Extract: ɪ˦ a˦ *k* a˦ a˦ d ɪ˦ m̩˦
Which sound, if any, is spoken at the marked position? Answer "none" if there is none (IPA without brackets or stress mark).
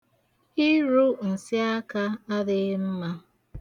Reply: k